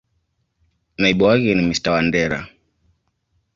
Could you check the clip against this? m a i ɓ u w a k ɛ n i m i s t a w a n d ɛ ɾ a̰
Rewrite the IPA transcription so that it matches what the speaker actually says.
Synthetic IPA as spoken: n a i ɓ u w a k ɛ n i m i s t a w a n d ɛ ɾ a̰